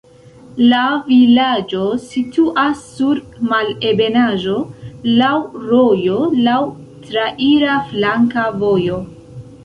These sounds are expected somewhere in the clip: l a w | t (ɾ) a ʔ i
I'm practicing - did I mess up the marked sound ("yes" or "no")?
no